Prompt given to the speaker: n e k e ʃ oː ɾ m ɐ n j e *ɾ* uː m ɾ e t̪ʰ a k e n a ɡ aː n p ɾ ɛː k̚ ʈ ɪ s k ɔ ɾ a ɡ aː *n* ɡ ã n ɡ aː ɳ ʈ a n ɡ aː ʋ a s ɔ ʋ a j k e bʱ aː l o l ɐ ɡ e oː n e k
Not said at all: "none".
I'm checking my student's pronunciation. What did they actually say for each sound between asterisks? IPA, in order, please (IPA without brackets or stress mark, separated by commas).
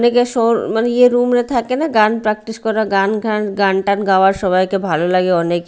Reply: ɾ, n